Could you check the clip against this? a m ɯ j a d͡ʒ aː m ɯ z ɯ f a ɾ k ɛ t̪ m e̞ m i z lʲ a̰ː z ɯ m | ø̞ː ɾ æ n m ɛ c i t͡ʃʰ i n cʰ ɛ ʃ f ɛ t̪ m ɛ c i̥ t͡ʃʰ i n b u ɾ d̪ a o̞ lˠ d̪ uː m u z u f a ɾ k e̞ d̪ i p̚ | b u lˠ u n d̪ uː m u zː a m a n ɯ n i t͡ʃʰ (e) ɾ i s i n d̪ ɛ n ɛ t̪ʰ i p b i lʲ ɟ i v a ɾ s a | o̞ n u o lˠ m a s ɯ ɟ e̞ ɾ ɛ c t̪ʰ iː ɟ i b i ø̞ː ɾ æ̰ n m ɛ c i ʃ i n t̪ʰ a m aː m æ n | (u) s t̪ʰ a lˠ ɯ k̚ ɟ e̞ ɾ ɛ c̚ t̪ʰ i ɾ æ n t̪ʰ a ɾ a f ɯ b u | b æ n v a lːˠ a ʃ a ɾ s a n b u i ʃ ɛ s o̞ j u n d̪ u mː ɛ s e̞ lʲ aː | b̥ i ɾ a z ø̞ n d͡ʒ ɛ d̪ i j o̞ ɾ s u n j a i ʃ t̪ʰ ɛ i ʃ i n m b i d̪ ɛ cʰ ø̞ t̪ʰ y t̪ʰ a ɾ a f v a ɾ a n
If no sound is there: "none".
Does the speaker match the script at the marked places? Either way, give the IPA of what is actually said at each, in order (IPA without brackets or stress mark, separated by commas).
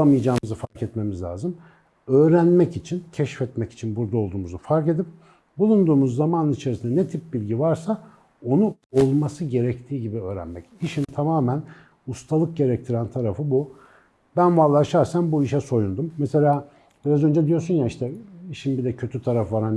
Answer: e, u